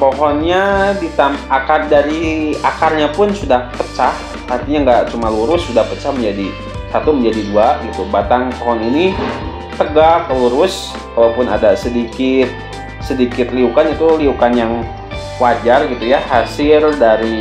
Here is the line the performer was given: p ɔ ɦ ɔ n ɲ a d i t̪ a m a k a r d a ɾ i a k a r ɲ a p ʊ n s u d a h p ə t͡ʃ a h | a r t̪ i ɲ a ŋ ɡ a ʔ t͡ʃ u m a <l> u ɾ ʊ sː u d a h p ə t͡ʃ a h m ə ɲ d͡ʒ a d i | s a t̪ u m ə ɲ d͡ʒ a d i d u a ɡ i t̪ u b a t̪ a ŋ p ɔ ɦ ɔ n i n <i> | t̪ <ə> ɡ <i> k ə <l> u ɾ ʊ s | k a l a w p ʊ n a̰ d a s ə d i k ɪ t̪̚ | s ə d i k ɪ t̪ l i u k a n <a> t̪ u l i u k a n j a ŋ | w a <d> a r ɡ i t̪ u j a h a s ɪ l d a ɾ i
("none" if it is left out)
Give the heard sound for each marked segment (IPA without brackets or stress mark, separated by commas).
l, i, ə, a, l, i, d͡ʒ